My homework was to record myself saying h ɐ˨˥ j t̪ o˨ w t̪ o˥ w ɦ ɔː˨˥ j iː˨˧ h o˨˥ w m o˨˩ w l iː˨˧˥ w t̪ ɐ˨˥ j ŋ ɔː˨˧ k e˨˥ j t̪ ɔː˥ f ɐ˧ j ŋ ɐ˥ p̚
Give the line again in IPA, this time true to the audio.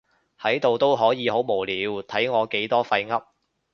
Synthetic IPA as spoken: h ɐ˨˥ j t̪ o˨ w t̪ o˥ w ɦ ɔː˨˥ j iː˨˧ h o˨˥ w m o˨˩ w l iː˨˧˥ w t̪ʰ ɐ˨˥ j ŋ ɔː˨˧ k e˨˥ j t̪ ɔː˥ f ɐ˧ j ŋ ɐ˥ p̚

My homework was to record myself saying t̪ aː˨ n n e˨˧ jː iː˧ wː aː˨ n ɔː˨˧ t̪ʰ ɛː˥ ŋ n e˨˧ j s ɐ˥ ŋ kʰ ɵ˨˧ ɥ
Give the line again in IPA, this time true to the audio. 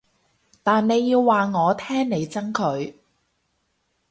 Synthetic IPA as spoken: t̪ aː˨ n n e˨˧ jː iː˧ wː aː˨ ŋ ɔː˨˧ t̪ʰ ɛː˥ ŋ n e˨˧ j t͡s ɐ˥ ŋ kʰ ɵ˨˧ ɥ

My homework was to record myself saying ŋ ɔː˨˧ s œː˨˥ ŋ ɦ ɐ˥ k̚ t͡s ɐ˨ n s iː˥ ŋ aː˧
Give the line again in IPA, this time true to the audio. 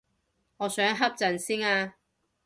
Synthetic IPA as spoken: ŋ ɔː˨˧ s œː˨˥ ŋ ɦ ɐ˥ p̚ t͡s ɐ˨ n s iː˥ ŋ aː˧

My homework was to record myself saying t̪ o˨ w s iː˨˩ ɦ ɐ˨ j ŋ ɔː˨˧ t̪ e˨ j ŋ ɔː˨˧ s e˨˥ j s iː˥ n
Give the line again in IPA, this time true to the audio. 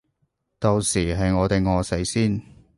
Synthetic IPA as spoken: t̪ o˨ w s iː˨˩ ɦ ɐ˨ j ŋ ɔː˨˧ t̪ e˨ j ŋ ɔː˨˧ s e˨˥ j s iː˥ n

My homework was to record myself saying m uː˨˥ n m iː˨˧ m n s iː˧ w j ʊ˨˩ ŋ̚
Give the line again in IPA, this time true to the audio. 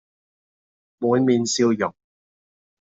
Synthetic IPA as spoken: m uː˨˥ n m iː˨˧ n s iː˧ w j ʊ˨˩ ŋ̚

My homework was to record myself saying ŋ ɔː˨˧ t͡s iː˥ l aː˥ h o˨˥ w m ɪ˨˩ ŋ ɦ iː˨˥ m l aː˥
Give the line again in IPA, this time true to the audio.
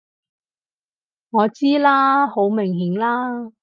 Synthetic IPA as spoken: ŋ ɔː˨˧ t͡s iː˥ l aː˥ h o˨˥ w m ɪ˨˩ ŋ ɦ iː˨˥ ŋ l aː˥

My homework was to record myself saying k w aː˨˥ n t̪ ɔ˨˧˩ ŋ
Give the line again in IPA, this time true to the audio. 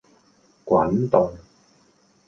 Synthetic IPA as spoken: k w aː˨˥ n t̪ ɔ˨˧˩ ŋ

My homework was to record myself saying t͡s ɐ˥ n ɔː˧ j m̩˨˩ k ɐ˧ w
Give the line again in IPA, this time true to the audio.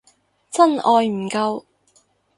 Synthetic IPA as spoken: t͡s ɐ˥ n ɔː˧ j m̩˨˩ k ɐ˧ w

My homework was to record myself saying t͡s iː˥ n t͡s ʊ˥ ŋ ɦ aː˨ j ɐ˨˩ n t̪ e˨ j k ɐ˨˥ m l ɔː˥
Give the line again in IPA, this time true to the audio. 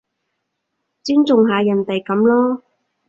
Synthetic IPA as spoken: t͡s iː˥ n t͡s ʊ˨ ŋ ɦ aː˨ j ɐ˨˩ n t̪ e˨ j k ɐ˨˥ m l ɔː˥

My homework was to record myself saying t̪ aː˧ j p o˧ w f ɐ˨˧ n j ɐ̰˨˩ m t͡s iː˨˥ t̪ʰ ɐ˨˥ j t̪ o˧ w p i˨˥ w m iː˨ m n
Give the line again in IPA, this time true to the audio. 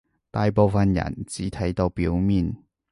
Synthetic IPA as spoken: t̪ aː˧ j p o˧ w f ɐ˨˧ n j ɐ̰˨˩ n t͡s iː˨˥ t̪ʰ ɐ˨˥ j t̪ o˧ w p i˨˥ w m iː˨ n

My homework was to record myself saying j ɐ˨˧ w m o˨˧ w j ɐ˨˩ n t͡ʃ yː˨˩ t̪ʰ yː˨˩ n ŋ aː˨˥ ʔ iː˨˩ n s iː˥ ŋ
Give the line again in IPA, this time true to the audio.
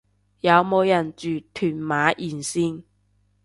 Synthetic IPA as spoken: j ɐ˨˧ w m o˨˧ w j ɐ˨˩ n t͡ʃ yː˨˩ t̪ʰ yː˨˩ n m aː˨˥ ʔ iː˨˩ n s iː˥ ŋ

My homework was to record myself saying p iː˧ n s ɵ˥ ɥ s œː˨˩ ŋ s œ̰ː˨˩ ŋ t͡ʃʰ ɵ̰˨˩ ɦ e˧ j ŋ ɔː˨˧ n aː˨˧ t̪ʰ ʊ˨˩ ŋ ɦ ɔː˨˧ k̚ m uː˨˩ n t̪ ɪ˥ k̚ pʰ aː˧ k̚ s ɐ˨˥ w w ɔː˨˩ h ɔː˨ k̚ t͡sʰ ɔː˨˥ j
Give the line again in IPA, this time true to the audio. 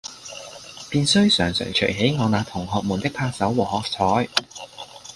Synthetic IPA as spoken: p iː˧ n s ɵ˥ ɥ s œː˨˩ ŋ s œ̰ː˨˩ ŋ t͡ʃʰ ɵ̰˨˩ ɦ e˨˥ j ŋ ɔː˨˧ n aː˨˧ t̪ʰ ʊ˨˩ ŋ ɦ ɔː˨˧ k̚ m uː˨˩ n t̪ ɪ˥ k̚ pʰ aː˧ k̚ s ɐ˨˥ w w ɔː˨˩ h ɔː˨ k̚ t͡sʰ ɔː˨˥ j

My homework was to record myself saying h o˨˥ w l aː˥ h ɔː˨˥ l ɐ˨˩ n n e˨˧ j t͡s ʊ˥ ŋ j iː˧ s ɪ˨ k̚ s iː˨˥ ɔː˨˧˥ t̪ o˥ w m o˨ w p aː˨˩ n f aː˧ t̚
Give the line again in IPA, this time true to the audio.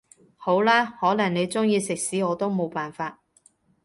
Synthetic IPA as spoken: h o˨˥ w l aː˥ h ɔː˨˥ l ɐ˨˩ ŋ n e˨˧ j t͡s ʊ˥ ŋ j iː˧ s ɪ˨ k̚ s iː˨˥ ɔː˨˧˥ t̪ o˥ w m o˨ w p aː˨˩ n f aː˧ t̚

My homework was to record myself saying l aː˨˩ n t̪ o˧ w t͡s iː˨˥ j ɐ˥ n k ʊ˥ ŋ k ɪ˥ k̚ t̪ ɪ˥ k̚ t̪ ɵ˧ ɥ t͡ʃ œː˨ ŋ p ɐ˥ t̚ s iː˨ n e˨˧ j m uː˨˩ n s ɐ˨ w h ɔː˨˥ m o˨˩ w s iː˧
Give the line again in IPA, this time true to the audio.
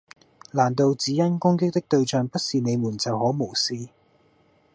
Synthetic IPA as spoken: l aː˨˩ n t̪ o˧ w t͡s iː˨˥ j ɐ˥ n k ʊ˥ ŋ k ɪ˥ k̚ t̪ ɪ˥ k̚ t̪ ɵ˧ ɥ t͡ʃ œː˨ ŋ p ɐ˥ t̚ s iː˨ n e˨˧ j m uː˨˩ n t͡s ɐ˨ w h ɔː˨˥ m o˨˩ w s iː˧

